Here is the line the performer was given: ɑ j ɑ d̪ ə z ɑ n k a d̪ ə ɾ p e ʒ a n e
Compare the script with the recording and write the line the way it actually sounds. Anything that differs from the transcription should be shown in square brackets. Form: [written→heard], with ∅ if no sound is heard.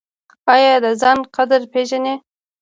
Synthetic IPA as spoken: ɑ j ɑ d̪ ə z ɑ n [k→q] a d̪ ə ɾ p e ʒ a n e